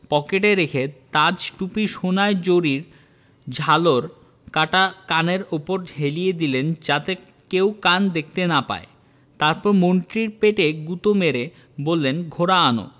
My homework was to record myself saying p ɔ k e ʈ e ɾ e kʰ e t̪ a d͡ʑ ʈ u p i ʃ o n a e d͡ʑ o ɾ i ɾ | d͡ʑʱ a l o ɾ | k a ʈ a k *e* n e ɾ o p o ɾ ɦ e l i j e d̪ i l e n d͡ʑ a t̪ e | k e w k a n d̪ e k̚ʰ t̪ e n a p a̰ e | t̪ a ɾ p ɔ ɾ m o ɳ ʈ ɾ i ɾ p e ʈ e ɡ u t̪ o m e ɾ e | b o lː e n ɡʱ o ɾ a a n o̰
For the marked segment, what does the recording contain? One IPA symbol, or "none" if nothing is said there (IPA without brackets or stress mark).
a